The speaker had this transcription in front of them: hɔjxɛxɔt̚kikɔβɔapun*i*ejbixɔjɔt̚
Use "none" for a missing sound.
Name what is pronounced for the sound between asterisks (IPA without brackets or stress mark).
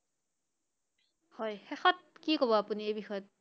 i